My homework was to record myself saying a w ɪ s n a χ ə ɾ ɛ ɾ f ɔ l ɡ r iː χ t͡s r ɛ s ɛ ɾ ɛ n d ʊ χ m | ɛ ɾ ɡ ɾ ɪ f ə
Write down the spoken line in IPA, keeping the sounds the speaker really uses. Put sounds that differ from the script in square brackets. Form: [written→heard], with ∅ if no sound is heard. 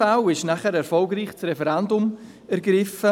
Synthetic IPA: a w ɪ [s→ʃ] n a χ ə ɾ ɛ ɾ f ɔ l ɡ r iː χ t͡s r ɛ [s→f] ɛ ɾ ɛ n d ʊ [χ→∅] m | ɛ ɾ ɡ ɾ ɪ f ə